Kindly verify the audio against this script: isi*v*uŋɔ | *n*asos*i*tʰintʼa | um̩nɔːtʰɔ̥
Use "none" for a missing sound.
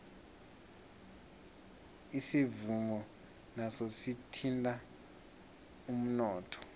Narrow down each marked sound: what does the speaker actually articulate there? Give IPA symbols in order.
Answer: v, n, i

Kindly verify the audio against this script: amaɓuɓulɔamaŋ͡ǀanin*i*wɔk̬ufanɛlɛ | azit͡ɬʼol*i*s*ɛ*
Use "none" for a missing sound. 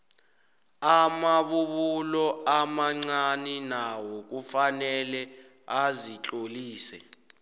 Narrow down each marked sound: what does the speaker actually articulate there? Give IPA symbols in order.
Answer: a, iː, ɛ

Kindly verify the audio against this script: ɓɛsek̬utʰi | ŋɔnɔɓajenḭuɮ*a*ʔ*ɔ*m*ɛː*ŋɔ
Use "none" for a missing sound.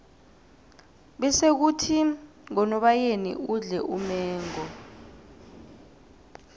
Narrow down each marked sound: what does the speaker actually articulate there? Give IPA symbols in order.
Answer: ɛ, u, ɛː

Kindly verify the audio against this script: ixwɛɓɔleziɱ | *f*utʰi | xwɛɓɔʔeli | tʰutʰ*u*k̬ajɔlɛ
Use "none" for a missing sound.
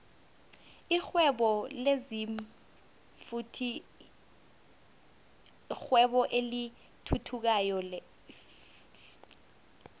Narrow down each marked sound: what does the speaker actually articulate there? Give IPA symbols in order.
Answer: f, u

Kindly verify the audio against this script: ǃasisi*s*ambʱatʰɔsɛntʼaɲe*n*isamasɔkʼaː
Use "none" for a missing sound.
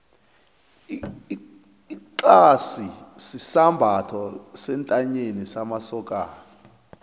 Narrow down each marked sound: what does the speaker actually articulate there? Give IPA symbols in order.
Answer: s, n

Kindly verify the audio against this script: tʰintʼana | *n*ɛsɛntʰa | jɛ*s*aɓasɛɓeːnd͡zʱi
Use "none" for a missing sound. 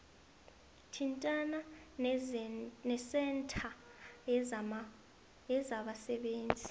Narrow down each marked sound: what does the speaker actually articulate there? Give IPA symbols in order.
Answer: n, z

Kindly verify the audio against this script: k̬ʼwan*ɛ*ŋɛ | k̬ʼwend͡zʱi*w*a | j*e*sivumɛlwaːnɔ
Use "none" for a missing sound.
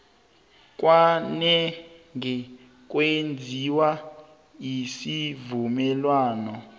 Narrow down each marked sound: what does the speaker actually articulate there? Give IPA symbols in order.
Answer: ɛ, w, i

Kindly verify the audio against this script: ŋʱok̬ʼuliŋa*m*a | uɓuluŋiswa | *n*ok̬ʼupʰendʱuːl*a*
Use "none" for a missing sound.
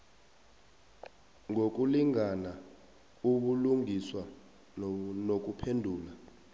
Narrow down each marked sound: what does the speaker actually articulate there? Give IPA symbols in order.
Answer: n, n, a

